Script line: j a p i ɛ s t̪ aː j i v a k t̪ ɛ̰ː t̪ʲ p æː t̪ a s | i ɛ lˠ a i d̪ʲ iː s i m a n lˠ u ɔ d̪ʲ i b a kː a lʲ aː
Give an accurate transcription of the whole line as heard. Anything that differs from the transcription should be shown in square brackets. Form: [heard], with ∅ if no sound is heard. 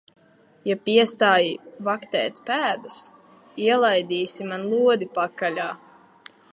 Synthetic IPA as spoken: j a p i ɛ s t̪ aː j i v a k t̪ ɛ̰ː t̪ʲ p æː [d̪] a s | i ɛ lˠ a [j] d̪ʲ iː s i m a n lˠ u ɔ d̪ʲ i [p] a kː a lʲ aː